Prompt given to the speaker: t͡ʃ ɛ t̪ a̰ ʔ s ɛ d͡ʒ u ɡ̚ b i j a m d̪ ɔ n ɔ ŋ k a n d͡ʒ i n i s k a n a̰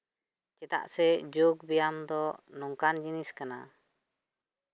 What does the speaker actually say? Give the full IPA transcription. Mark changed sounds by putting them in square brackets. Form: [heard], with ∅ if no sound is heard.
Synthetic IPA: t͡ʃ ɛ t̪ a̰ ʔ s ɛ d͡ʒ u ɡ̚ b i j a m d̪ ɔ n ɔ ŋ k a n d͡ʒ i n i s k a n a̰

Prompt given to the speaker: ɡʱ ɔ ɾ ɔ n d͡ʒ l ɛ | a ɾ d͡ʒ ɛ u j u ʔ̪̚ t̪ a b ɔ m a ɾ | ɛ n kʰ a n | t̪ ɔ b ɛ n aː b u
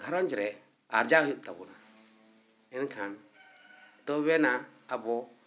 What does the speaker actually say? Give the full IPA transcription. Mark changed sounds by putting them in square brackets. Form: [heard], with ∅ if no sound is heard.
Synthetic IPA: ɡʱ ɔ ɾ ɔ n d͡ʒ [ɾ] ɛ | a ɾ d͡ʒ [a] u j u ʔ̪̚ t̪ a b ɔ [n] a [∅] | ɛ n kʰ a n | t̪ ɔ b ɛ n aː b [ɔ]

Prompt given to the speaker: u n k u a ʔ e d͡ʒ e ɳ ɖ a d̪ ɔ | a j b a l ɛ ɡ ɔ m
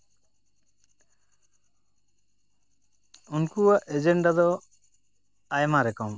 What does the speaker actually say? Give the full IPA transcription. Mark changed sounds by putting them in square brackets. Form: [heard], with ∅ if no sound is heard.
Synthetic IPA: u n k u a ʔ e d͡ʒ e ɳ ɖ a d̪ ɔ | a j [m] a [ɾ] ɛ [k] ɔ m

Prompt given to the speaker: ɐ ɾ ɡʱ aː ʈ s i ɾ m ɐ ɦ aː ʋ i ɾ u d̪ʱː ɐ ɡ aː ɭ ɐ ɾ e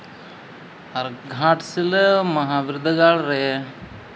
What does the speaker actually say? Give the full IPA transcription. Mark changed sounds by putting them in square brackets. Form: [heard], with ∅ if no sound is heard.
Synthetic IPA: ɐ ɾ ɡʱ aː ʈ s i [l] m ɐ ɦ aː ʋ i ɾ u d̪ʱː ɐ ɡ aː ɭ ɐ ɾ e

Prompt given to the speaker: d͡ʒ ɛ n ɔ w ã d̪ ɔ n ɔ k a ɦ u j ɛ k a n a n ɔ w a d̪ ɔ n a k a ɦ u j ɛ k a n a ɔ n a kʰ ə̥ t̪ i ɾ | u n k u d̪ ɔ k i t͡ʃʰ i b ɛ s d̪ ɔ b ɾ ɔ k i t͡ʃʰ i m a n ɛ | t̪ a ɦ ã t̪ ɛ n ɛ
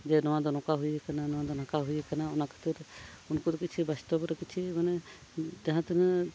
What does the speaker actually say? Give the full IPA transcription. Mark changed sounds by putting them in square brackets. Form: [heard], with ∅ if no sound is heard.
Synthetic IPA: d͡ʒ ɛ n ɔ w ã d̪ ɔ n ɔ k a ɦ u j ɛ k a n a n ɔ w a d̪ ɔ n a k a ɦ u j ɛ k a n a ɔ n a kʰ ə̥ t̪ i ɾ | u n k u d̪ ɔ k i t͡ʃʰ i b [a] s [t̪] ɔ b ɾ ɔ k i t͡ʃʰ i m a n ɛ | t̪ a ɦ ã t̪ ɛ n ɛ

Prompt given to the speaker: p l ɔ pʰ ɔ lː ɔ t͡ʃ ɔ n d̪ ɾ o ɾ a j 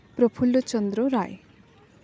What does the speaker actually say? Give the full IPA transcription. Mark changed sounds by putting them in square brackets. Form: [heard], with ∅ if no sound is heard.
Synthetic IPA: p [ɾ] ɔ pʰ [u] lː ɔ t͡ʃ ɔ n d̪ ɾ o ɾ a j

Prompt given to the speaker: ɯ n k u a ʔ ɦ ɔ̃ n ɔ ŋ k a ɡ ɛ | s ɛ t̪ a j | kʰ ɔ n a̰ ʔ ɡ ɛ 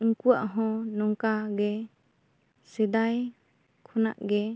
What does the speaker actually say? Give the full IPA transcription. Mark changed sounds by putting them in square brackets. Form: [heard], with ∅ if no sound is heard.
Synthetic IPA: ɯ [ŋ] k u a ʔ ɦ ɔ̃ n ɔ ŋ k a ɡ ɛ | s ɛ [d̪] a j | kʰ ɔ n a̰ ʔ ɡ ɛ

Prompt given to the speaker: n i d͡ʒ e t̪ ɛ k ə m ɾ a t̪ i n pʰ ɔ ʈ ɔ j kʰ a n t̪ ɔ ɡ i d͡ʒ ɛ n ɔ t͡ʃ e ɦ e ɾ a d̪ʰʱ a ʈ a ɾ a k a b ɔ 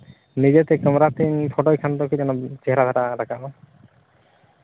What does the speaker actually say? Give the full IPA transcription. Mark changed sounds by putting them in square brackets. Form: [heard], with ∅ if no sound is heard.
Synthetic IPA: n i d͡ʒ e t̪ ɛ k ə m ɾ a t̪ i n pʰ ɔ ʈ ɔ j kʰ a n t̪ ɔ [k] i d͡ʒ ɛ n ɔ t͡ʃ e ɦ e ɾ a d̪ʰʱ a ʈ a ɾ a k a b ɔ

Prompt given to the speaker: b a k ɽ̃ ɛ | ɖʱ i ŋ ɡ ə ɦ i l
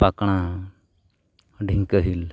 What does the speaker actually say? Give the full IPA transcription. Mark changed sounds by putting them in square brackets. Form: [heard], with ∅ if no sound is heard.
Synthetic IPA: [p] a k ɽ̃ [a] | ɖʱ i ŋ [k] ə ɦ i l

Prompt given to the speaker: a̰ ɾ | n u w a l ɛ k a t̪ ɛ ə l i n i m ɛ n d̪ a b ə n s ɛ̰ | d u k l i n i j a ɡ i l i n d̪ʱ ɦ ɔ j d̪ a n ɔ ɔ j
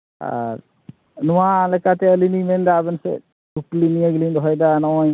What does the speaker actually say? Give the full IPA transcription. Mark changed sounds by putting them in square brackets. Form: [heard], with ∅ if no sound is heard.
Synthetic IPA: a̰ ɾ | n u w a l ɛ k a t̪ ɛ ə l i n i m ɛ n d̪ a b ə n s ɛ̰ | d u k l i n i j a ɡ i l i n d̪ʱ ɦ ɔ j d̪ a n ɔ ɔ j

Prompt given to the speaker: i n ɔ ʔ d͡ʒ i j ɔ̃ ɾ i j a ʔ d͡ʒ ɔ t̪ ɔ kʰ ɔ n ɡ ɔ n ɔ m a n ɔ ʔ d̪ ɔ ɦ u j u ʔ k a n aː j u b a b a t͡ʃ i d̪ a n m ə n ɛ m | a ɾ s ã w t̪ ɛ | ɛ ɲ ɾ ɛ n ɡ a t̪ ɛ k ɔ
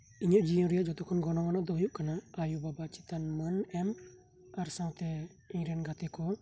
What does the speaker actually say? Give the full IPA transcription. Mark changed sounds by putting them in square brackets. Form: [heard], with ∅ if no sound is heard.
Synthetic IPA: i [ɲ] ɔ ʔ d͡ʒ i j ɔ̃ ɾ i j a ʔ d͡ʒ ɔ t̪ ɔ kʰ ɔ n ɡ ɔ n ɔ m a n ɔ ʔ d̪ ɔ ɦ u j u ʔ k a n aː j u b a b a t͡ʃ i [t̪] a n m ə n ɛ m | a ɾ s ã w t̪ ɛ | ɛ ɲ ɾ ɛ n ɡ a t̪ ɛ k ɔ

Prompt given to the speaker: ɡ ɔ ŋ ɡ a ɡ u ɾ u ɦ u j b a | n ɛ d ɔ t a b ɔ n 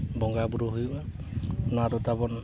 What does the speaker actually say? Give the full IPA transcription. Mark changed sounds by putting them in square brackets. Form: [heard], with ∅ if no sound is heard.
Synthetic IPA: [b] ɔ ŋ ɡ a [b] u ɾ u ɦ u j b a | n [a] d ɔ t a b ɔ n

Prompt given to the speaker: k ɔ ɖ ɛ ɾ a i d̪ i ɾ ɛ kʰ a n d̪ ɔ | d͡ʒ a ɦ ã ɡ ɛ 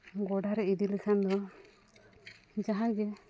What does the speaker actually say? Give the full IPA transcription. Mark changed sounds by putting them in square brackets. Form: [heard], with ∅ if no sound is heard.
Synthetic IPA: [ɡ] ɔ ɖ [a] ɾ [ɛ] i d̪ i [l] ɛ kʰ a n d̪ ɔ | d͡ʒ a ɦ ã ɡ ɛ

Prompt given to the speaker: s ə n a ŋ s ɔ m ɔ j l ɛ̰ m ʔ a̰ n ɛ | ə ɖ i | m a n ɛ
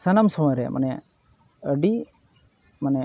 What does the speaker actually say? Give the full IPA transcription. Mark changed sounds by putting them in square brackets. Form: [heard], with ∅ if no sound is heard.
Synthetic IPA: s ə n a [m] s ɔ m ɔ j [ɾ] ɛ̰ m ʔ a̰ n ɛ | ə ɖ i | m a n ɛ

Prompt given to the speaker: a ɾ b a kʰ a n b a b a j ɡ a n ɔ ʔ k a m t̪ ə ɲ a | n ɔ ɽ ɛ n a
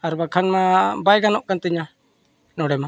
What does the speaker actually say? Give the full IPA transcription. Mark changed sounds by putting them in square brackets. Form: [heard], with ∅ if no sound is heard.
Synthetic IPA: a ɾ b a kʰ a n [m] a b a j ɡ a n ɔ ʔ k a [n] t̪ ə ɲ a | n ɔ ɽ ɛ [m] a

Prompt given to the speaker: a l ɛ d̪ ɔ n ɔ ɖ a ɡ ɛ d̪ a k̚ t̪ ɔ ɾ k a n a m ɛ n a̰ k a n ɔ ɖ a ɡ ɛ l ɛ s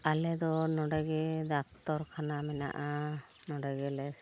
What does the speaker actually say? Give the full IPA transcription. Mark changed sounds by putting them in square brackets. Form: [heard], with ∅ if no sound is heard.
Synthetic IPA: a l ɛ d̪ ɔ n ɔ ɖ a ɡ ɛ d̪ a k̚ t̪ ɔ ɾ [kʰ] a n a m ɛ n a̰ [ʔ] a n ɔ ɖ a ɡ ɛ l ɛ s

